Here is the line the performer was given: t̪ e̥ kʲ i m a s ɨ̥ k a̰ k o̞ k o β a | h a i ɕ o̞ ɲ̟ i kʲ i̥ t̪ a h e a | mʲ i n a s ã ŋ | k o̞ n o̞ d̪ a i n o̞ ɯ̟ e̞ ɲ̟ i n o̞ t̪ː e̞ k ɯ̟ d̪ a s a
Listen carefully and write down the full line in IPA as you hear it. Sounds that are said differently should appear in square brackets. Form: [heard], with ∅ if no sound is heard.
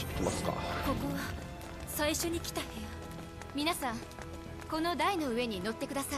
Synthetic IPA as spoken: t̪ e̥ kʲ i m a s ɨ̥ k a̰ k o̞ k o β a | [s] a i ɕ o̞ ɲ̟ i kʲ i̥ t̪ a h e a | mʲ i n a s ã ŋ | k o̞ n o̞ d̪ a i n o̞ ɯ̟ e̞ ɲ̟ i n o̞ t̪ː e̞ k ɯ̟ d̪ a s a